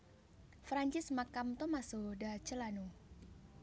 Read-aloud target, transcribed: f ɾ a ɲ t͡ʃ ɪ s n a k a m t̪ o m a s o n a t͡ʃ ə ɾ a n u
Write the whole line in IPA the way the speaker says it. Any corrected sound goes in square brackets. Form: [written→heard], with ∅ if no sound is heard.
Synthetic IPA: f ɾ a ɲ t͡ʃ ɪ s [n→m] a k a m t̪ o m a s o [n→d] a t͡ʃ ə [ɾ→l] a n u